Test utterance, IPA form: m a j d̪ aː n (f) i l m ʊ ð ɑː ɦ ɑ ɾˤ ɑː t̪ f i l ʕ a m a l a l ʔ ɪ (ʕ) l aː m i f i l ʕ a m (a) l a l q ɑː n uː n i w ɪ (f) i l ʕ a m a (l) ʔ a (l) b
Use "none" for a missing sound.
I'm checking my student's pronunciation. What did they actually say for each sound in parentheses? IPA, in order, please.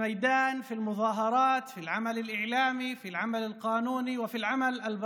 f, ʕ, a, f, l, l

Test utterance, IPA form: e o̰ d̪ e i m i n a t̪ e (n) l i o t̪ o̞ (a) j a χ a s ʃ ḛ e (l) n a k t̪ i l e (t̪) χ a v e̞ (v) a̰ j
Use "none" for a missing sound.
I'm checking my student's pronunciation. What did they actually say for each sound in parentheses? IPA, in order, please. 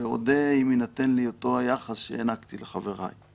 n, a, none, none, ʁ

